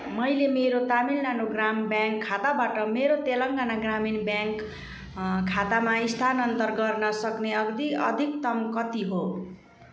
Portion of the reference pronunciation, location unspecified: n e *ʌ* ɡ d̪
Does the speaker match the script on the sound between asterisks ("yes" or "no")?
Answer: yes